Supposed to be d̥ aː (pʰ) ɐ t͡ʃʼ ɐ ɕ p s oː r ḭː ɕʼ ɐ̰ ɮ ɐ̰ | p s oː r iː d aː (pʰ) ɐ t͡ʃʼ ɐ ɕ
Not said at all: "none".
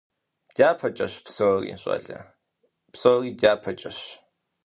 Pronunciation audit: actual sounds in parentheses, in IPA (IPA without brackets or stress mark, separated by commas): pʰ, pʰ